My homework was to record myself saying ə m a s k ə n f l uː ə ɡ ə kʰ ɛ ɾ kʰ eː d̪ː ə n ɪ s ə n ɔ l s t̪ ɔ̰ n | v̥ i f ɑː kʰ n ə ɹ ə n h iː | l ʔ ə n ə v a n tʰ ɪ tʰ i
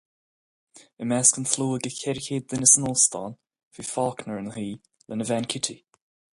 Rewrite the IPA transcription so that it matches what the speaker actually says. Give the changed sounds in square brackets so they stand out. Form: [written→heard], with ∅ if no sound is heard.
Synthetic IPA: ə m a s k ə n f l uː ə ɡ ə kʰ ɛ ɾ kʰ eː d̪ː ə n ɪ s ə n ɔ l s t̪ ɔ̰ n | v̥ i f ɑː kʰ n ə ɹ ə n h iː | l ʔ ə n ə v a n [tʰ→kʰ] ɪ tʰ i